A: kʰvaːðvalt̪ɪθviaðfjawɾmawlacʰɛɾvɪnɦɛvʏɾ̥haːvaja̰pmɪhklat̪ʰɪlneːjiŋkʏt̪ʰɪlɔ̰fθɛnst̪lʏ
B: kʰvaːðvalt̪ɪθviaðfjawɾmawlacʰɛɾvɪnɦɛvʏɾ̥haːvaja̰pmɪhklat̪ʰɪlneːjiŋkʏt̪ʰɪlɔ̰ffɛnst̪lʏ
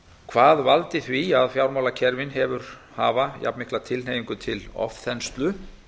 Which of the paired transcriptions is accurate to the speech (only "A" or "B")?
A